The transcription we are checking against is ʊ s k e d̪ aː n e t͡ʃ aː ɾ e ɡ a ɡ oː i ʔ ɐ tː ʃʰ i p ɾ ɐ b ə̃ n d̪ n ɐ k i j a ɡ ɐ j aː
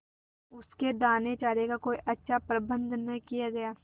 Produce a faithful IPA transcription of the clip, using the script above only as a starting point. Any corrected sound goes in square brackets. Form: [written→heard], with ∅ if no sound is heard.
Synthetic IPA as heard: ʊ s k e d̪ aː n e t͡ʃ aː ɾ e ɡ a [ɡ→k] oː i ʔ ɐ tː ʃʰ [i→a] p ɾ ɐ b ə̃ n d̪ n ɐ k i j a ɡ ɐ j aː

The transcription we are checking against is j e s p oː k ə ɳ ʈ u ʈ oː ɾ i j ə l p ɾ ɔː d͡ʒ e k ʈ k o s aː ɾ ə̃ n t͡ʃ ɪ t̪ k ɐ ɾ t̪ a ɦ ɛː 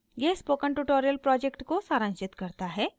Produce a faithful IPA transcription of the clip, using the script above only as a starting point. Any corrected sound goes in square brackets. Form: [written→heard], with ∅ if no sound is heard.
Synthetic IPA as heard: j e s p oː k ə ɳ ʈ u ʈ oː ɾ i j ə l p ɾ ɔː d͡ʒ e k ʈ k o s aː ɾ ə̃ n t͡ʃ ɪ t̪ k ɐ ɾ t̪ a ɦ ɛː

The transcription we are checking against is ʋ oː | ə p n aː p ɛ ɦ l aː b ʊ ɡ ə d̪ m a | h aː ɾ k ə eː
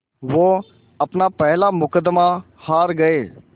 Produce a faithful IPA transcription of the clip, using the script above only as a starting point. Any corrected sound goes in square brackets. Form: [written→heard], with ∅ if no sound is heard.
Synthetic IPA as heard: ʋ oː | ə p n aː p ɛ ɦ l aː [b→m] ʊ [ɡ→k] ə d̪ m a | h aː ɾ [k→ɡ] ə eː

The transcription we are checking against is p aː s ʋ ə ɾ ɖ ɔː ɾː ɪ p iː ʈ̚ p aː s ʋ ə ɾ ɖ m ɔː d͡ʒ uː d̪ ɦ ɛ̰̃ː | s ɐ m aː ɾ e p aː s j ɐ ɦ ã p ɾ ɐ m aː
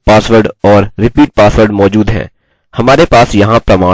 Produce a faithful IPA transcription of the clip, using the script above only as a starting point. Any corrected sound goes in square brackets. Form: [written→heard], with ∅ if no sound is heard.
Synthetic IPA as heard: p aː s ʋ ə ɾ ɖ ɔː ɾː ɪ p iː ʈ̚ p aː s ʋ ə ɾ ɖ m ɔː d͡ʒ uː d̪ ɦ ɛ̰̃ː | [s→h] ɐ m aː ɾ e p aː s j ɐ ɦ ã p ɾ ɐ m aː

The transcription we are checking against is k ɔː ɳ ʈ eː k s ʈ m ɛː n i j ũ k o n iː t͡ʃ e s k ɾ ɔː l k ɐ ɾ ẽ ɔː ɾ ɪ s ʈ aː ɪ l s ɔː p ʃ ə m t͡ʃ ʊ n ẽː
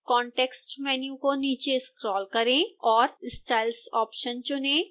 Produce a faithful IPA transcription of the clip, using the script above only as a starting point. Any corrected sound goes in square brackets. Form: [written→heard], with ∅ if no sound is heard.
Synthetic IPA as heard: k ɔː ɳ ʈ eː k s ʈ m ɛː n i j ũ k o n iː t͡ʃ e s k ɾ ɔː l k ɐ ɾ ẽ ɔː ɾ ɪ s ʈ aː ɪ l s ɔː p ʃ ə [m→n] t͡ʃ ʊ n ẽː

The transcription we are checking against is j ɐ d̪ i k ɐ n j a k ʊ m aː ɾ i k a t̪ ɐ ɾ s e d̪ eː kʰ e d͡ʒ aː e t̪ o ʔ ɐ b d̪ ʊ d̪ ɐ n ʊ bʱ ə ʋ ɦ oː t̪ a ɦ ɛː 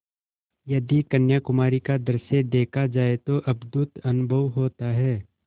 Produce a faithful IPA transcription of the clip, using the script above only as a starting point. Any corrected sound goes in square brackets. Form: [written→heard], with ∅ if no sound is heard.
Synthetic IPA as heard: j ɐ d̪ i k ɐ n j a k ʊ m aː ɾ i k a [t̪→d̪] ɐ ɾ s e d̪ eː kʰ [e→a] d͡ʒ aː e t̪ o ʔ ɐ b d̪ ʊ [d̪→t̪] ɐ n ʊ bʱ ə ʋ ɦ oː t̪ a ɦ ɛː

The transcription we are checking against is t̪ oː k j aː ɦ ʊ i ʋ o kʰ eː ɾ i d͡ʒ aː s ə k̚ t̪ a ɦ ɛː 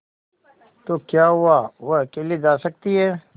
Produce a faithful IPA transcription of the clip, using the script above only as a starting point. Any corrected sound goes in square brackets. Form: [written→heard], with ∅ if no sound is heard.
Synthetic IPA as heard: t̪ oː k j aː ɦ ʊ [i→a] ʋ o [kʰ→k] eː [ɾ→l] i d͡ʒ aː s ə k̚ t̪ [a→i] ɦ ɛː

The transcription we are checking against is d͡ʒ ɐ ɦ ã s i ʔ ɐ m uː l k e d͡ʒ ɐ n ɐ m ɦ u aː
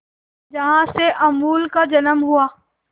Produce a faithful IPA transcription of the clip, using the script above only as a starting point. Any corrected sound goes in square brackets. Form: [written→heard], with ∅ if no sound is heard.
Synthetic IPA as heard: d͡ʒ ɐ ɦ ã s [i→e] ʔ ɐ m uː l k [e→a] d͡ʒ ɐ n [ɐ→ə] m ɦ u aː

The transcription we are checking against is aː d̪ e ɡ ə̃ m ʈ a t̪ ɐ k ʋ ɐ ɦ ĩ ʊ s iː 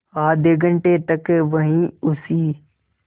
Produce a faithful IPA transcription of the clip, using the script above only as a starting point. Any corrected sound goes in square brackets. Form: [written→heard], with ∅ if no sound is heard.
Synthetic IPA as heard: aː d̪ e ɡ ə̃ [m→ɳ] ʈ [a→e] t̪ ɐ k ʋ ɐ ɦ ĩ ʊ s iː

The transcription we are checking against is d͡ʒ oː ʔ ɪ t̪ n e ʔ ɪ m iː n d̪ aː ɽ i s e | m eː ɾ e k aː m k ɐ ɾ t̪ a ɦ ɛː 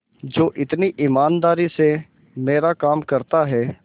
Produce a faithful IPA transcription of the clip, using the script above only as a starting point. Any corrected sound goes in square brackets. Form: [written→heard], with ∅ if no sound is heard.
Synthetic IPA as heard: d͡ʒ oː ʔ ɪ t̪ n [e→i] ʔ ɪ m [iː→aː] n d̪ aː [ɽ→ɾ] i s e | m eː ɾ [e→a] k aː m k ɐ ɾ t̪ a ɦ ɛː

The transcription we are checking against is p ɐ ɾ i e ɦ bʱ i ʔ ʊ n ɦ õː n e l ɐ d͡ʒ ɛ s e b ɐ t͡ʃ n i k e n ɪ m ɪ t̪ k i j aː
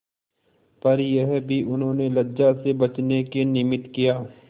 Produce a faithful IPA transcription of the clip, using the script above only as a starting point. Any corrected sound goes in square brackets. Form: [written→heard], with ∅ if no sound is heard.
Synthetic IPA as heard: p ɐ ɾ [i→j] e ɦ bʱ i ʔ ʊ n ɦ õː n e l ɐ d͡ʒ [ɛ→a] s e b ɐ t͡ʃ n [i→e] k e n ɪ m ɪ t̪ k i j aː

